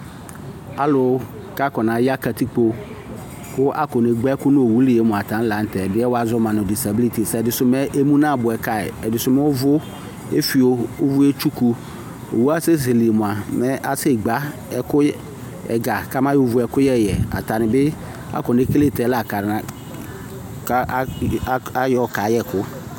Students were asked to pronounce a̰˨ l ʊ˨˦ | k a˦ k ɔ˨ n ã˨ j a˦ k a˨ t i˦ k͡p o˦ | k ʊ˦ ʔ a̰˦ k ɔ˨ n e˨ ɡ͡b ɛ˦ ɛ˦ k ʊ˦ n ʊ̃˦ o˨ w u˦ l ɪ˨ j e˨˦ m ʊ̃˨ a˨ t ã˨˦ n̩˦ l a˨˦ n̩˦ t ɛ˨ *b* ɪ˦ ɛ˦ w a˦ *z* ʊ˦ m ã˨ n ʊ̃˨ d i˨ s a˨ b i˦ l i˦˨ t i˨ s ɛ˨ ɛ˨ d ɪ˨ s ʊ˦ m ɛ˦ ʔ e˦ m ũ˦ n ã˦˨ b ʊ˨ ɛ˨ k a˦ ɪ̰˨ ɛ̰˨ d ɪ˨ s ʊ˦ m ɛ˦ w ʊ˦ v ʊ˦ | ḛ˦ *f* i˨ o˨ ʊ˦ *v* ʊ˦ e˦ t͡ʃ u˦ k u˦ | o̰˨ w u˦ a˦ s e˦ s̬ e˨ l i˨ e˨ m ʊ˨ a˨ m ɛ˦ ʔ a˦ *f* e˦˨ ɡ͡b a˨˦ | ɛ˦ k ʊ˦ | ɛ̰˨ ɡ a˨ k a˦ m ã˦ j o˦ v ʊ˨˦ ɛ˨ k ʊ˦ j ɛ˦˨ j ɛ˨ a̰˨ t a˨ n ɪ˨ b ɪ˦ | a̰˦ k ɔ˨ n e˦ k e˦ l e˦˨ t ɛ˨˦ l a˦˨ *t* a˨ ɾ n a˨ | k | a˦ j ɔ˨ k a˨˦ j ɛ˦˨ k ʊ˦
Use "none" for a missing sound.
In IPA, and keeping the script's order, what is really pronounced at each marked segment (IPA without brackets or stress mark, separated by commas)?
d, z, f, v, s, k